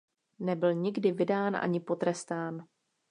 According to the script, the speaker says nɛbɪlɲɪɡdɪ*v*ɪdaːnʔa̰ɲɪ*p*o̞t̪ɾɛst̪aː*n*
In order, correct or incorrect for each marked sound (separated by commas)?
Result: correct, correct, correct